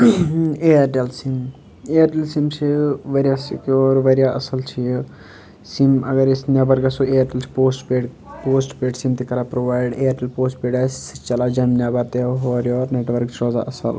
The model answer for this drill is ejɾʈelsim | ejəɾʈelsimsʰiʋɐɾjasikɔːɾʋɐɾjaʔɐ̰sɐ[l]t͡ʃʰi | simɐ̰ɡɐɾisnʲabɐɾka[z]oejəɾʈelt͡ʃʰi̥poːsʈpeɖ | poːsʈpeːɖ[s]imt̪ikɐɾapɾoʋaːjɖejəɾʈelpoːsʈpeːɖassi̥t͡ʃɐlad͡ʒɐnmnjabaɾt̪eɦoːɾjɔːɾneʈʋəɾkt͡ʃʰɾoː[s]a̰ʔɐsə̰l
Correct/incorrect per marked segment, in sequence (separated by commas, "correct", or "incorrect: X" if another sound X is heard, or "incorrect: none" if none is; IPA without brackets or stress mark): correct, incorrect: s, correct, incorrect: z